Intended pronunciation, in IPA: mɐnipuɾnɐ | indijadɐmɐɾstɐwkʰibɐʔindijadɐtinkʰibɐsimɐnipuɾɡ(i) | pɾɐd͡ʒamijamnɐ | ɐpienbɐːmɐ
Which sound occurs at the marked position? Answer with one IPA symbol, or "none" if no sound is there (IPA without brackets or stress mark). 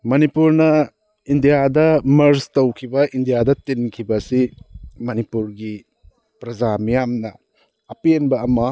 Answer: i